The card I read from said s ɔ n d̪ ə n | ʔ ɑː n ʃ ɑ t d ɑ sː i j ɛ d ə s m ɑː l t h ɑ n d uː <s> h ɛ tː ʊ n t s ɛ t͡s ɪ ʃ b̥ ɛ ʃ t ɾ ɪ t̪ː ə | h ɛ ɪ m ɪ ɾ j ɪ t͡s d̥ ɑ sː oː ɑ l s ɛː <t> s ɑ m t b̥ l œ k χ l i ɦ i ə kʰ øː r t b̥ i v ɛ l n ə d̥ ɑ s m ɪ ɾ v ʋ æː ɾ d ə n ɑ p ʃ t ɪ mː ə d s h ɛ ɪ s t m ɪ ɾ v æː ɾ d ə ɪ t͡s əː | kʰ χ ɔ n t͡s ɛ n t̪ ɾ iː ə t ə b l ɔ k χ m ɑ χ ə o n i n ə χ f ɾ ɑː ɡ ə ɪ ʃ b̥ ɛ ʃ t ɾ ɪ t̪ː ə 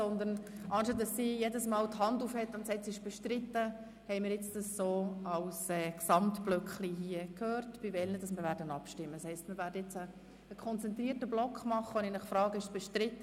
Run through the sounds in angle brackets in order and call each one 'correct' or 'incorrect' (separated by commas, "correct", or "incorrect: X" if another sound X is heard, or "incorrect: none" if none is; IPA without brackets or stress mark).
incorrect: f, incorrect: k